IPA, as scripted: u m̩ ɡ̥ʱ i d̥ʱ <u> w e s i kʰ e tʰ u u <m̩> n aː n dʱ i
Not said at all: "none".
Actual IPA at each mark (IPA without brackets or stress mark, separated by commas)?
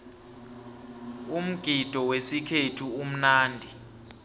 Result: ɔ, m̩